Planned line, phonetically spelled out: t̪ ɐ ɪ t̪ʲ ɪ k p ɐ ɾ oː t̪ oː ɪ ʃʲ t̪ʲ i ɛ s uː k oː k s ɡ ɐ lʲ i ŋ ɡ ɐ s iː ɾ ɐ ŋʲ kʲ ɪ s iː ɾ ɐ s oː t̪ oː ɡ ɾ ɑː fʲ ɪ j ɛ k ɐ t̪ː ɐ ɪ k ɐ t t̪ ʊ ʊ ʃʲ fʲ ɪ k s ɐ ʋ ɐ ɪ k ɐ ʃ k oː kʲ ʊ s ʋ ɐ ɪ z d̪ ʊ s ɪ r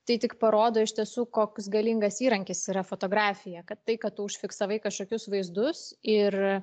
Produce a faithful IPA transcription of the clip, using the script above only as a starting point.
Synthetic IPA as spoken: t̪ ɐ ɪ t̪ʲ ɪ k p ɐ ɾ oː d̪ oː ɪ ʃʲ t̪ʲ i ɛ s uː k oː k s ɡ ɐ lʲ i ŋ ɡ ɐ s iː ɾ ɐ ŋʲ kʲ ɪ s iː ɾ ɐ f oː t̪ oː ɡ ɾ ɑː fʲ ɪ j ɛ k ɐ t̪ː ɐ ɪ k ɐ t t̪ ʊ ʊ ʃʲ fʲ ɪ k s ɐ ʋ ɐ ɪ k ɐ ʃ k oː kʲ ʊ s ʋ ɐ ɪ z d̪ ʊ s ɪ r